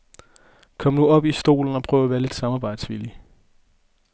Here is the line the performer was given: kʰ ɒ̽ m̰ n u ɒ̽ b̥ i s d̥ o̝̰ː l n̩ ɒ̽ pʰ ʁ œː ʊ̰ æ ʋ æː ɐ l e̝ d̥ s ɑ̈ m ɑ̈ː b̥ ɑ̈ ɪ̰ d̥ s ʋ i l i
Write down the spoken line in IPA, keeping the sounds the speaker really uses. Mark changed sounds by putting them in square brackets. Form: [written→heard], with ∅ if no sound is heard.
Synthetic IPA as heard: kʰ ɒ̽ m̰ n u ɒ̽ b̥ i s d̥ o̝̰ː l n̩ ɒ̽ pʰ ʁ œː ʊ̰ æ ʋ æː ɐ l e̝ d̥ s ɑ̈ m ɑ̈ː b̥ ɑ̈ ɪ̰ d̥ s ʋ i l i